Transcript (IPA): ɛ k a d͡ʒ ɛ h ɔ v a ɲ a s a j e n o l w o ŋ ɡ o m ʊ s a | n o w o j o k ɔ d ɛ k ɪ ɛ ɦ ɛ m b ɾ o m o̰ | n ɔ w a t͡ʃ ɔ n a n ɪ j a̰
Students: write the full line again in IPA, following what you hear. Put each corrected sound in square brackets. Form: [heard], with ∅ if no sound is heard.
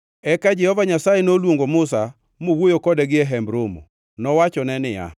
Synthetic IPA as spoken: ɛ k a d͡ʒ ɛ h ɔ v a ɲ a s a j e n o l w o ŋ ɡ o m ʊ s a | [m] o w o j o k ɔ d ɛ [ɡ] ɪ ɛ ɦ ɛ m b ɾ o m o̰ | n ɔ w a t͡ʃ ɔ n [ɛ] n ɪ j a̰